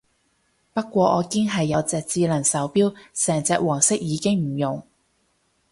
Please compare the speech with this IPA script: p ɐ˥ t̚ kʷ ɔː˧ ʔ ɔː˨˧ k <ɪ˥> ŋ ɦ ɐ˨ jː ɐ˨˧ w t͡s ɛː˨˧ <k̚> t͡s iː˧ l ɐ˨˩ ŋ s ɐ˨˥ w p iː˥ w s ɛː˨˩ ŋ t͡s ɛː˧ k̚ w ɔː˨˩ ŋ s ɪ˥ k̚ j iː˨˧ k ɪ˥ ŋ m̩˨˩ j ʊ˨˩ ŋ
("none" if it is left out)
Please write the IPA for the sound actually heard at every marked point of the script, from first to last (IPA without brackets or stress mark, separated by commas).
ɪ˥, k̚